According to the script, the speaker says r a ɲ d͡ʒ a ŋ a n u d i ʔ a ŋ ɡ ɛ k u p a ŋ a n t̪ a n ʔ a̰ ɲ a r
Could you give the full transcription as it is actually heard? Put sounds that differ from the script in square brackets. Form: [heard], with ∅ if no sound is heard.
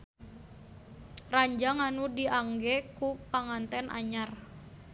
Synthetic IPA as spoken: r a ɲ d͡ʒ a ŋ a n u d i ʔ a ŋ ɡ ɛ k u p a ŋ a n t̪ [ɛ] n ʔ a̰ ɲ a r